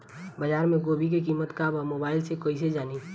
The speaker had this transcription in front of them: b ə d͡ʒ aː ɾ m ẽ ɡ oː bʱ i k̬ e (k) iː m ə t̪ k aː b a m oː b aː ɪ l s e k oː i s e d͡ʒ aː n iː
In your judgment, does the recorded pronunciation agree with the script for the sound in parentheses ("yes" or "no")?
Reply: yes